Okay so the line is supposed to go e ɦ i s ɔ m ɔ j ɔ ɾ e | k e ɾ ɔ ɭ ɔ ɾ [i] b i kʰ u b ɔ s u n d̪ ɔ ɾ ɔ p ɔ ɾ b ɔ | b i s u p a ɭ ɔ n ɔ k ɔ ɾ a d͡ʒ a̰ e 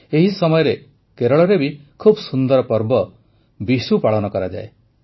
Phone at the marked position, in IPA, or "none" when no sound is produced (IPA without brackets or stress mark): e